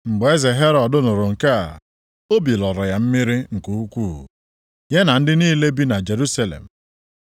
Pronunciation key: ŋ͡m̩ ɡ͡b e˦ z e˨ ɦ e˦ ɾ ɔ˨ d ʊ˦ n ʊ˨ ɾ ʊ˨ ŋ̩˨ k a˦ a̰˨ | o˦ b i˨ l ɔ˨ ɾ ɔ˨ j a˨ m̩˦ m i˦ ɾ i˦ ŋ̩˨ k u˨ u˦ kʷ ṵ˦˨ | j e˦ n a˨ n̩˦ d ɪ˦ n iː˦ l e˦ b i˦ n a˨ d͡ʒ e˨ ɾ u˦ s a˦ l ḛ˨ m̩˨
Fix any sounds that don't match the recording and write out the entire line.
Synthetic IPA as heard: ŋ͡m̩ ɡ͡b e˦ z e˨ ɦ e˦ ɾ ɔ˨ d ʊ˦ n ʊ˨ ɾ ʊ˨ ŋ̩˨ k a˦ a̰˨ | o˦ b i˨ l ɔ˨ ɾ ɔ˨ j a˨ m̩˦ m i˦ ɾ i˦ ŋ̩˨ k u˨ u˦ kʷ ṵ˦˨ | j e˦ n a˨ n̩˦ d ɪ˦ n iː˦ l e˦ b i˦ n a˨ d͡ʒ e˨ ɾ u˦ s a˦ l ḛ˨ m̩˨